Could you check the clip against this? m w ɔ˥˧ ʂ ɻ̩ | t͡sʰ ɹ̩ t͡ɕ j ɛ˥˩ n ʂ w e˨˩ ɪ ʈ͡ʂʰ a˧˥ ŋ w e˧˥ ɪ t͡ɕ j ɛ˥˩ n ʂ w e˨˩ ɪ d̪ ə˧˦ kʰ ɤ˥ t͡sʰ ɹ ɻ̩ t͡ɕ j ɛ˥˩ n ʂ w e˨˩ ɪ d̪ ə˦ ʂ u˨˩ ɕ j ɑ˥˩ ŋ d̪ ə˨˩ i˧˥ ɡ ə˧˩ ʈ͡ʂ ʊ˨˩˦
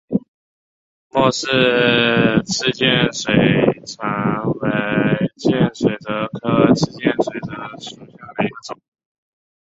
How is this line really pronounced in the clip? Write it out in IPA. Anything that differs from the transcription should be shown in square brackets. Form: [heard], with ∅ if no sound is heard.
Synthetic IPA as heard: m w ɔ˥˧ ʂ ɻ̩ | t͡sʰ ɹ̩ t͡ɕ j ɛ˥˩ n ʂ w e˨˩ ɪ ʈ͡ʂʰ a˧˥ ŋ w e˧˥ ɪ t͡ɕ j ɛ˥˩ n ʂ w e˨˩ ɪ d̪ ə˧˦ kʰ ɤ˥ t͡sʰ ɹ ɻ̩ t͡ɕ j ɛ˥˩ n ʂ w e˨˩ ɪ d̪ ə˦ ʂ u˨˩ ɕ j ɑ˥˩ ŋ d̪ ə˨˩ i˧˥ ɡ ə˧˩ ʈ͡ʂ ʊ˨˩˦